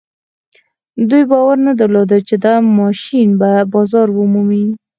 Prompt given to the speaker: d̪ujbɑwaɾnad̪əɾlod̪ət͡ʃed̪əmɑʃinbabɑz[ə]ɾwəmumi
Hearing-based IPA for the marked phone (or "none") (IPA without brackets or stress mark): ɑ